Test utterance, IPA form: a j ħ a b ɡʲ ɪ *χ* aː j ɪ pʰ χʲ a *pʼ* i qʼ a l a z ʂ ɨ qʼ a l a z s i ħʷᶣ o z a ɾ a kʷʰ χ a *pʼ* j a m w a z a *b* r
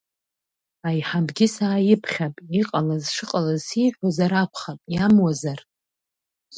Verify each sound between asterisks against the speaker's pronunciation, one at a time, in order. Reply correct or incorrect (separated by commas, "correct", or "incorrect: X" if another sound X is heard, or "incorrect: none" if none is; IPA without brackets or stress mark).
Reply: incorrect: s, correct, correct, incorrect: none